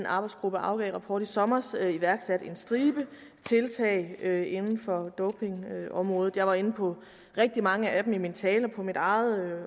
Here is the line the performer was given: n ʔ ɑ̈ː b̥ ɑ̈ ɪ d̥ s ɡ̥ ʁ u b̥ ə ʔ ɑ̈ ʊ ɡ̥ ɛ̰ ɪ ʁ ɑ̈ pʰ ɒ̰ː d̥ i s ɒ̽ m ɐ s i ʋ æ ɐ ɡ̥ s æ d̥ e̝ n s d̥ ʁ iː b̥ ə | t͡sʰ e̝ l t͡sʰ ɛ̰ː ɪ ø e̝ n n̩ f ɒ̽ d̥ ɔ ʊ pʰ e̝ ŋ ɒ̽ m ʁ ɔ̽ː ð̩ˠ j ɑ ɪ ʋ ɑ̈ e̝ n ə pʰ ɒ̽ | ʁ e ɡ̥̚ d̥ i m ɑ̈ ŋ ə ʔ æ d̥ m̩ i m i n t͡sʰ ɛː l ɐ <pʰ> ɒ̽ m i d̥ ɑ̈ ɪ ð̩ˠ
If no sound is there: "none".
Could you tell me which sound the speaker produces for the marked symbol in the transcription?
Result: pʰ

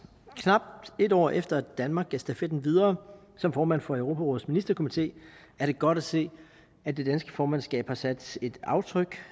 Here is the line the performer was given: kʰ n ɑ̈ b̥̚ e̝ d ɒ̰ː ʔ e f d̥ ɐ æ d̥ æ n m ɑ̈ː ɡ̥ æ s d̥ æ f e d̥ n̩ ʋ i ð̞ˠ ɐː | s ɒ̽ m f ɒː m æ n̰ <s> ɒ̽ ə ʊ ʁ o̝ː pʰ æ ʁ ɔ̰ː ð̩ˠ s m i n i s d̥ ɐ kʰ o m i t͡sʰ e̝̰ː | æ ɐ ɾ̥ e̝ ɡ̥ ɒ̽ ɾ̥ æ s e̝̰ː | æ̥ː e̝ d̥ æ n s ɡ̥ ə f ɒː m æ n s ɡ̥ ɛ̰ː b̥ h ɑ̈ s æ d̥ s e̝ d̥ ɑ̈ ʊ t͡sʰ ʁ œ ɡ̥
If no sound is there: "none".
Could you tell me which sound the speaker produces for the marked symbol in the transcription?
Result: f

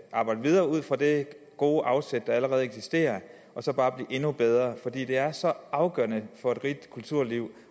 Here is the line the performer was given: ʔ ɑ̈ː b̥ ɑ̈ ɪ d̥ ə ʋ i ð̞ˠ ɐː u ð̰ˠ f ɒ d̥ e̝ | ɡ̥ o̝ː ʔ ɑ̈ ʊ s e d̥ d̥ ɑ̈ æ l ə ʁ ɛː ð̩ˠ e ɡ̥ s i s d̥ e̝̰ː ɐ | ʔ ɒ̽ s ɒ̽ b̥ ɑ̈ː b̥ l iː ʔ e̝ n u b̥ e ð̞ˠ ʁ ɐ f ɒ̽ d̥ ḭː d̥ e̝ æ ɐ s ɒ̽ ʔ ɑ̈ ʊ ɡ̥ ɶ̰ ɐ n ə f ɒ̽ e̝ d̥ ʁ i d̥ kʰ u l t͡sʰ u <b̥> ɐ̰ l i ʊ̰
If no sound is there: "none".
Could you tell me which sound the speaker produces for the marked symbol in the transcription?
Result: none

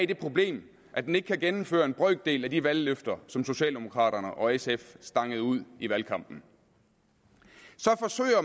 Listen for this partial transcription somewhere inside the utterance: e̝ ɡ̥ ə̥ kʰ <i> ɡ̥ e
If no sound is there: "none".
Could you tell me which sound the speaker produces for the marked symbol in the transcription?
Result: æ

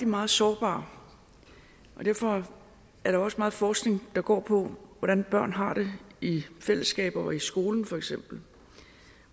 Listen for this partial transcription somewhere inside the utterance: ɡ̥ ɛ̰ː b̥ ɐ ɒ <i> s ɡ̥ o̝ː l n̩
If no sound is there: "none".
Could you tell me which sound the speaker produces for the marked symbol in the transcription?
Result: i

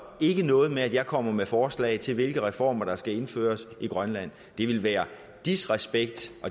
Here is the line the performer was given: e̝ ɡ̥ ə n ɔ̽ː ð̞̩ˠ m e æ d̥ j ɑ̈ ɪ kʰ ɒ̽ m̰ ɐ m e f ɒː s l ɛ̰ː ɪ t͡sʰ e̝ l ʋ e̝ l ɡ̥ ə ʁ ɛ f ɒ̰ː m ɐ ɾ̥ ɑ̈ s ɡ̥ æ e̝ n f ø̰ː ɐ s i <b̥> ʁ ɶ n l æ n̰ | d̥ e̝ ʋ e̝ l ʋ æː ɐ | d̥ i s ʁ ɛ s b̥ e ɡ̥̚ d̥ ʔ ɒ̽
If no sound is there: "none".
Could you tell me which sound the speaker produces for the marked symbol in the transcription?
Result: ɡ̥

